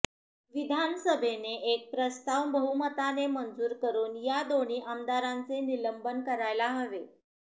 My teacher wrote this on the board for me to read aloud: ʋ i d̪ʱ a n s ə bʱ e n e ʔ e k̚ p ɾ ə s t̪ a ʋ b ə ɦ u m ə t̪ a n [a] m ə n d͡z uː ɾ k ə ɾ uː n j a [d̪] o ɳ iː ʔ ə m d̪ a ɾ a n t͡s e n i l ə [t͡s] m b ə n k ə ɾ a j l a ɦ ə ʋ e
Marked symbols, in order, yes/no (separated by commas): no, yes, no